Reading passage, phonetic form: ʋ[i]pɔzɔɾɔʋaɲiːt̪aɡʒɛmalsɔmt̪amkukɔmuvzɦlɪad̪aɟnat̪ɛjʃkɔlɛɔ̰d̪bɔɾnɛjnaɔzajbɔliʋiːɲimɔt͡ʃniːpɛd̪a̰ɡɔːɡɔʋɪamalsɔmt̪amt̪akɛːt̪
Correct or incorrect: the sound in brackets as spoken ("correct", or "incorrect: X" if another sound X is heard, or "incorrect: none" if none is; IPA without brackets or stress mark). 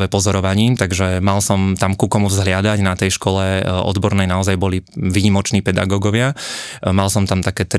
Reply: incorrect: ɛ